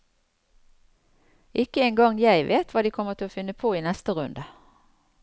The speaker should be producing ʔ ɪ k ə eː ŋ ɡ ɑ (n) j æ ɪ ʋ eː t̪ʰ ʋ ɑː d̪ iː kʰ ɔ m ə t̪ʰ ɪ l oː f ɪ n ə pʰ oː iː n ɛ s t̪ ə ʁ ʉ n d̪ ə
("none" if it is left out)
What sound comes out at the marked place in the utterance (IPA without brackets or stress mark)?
ŋ